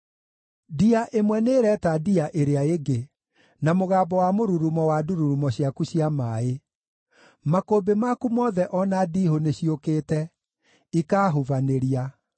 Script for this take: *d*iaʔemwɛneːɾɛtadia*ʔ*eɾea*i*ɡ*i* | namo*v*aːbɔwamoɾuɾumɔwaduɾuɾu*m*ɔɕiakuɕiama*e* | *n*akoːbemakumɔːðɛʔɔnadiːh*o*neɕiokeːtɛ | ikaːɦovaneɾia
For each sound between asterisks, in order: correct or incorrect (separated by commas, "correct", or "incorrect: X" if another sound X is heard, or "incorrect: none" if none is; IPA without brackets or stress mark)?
correct, correct, incorrect: e, incorrect: e, incorrect: ɣ, correct, correct, incorrect: m, correct